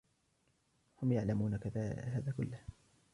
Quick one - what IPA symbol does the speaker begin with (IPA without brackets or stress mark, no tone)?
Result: h